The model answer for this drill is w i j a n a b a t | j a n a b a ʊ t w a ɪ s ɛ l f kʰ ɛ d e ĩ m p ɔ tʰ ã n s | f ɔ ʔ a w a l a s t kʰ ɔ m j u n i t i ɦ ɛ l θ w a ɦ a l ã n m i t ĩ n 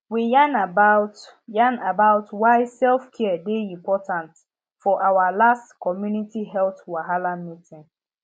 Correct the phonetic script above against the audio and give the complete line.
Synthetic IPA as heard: w i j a n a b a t | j a n a b a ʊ t w a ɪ s ɛ l f kʰ ɛ d e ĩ m p ɔ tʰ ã n t | f ɔ ʔ a w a l a s t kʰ ɔ m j u n i t i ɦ ɛ l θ w a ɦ a l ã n m i t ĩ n